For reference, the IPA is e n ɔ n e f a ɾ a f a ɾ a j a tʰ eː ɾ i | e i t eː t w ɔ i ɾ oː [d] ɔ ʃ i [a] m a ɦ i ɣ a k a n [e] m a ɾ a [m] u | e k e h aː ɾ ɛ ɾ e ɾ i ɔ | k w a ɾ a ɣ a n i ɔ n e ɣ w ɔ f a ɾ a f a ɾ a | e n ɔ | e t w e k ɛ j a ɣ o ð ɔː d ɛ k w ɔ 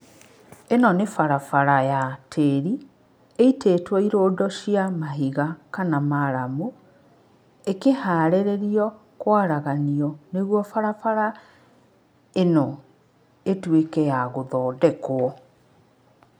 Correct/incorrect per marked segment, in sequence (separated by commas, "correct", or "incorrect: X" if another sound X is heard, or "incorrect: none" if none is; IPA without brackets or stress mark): correct, correct, incorrect: a, correct